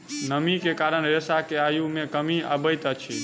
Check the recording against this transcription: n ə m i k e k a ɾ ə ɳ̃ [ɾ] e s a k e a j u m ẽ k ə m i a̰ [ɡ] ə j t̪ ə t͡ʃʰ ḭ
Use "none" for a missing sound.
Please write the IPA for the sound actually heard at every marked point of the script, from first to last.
ɾ, b

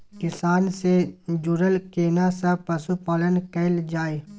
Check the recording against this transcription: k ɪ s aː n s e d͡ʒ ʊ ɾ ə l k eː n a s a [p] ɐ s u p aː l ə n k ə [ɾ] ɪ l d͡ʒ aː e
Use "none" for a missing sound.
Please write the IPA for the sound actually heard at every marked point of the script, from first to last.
p, none

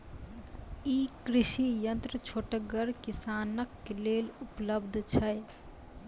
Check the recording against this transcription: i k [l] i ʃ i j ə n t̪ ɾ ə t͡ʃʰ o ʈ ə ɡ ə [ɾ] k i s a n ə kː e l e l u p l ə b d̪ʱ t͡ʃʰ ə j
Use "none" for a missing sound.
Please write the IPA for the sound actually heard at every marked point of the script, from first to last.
ɾ, ɾ

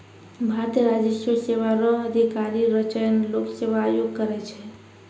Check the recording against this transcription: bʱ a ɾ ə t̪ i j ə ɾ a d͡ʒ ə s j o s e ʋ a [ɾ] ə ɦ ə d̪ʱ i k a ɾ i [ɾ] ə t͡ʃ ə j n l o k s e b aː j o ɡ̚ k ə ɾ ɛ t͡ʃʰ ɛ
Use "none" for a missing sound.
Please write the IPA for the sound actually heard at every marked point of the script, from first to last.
ɾ, ɾ

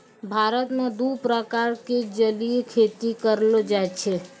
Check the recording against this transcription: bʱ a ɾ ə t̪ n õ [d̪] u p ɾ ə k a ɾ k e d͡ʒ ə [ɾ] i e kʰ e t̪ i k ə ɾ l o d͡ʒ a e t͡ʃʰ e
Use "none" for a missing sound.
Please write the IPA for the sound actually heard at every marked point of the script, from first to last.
d̪, l

